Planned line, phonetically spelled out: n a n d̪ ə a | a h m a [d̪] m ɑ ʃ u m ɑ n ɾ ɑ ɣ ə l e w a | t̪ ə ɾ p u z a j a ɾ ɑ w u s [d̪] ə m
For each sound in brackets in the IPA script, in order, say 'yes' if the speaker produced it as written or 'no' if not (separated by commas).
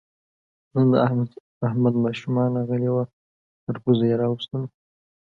yes, no